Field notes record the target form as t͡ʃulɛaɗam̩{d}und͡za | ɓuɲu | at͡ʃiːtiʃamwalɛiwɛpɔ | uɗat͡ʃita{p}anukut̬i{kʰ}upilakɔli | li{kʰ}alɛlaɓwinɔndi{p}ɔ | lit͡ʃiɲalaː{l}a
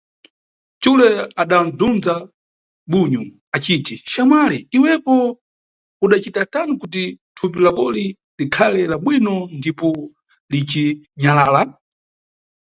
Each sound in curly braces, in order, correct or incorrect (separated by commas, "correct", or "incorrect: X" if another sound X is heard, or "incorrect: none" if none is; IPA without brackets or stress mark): correct, incorrect: t, incorrect: tʰ, correct, correct, correct